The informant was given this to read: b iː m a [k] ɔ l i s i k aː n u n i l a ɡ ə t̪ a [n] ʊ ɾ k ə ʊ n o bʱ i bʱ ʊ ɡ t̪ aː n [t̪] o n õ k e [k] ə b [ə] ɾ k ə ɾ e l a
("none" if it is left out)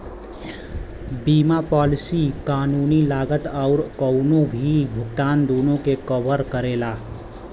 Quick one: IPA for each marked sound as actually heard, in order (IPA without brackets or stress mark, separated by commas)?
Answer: p, none, d̪, k, ə